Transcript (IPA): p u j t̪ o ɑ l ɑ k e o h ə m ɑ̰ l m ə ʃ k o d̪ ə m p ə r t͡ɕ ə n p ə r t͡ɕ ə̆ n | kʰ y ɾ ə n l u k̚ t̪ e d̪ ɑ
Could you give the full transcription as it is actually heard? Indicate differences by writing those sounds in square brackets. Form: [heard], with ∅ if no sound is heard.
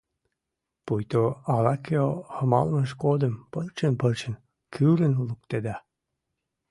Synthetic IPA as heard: p u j t̪ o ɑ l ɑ k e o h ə m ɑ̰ l m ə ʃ k o d̪ ə m p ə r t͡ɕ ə n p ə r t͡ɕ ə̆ n | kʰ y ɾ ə n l u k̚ t̪ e d̪ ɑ